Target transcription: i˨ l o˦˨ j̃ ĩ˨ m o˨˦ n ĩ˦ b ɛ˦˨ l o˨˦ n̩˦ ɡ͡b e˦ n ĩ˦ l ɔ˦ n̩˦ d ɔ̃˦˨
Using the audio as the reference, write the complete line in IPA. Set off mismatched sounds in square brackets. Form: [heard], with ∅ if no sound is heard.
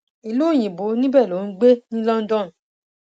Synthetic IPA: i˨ l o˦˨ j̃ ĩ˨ [b] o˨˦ n ĩ˦ b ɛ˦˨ l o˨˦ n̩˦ ɡ͡b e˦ n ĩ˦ l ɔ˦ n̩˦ d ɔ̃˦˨